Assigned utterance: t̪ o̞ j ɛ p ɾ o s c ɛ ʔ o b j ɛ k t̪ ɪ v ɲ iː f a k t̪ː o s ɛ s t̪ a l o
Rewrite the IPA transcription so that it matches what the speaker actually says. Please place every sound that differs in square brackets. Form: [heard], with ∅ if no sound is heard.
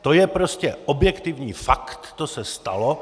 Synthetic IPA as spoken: t̪ o̞ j ɛ p ɾ o s c ɛ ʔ o b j ɛ k t̪ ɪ v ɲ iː f a k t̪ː o s ɛ s t̪ a l o